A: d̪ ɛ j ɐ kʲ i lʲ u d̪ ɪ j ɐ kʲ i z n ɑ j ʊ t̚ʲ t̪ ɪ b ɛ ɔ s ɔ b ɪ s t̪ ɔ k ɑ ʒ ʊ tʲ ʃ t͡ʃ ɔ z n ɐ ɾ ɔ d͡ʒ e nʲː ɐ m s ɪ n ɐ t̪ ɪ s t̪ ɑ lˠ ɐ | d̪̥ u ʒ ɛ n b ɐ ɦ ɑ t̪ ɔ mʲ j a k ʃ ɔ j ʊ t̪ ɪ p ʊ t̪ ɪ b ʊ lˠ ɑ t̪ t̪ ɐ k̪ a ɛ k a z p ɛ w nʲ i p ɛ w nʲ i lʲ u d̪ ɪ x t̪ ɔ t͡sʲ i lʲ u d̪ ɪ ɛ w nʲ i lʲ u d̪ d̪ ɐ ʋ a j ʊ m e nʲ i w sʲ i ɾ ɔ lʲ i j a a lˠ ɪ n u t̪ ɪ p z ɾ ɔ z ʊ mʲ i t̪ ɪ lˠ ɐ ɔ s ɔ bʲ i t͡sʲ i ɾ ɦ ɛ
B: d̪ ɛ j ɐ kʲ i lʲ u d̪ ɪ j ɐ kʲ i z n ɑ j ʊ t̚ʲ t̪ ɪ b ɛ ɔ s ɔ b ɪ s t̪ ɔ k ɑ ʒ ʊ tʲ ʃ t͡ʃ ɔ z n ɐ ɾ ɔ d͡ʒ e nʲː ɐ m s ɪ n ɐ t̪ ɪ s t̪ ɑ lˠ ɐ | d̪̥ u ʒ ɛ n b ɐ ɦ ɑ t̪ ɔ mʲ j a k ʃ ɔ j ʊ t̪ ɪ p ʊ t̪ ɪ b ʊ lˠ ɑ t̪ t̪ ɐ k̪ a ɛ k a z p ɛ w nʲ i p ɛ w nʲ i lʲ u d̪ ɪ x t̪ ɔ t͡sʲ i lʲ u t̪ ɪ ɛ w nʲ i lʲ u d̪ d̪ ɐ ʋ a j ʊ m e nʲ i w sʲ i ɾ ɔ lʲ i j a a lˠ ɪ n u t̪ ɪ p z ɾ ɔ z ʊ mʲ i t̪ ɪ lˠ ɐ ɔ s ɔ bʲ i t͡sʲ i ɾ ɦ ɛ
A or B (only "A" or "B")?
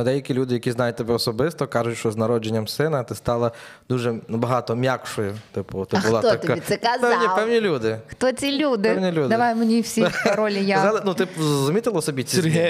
A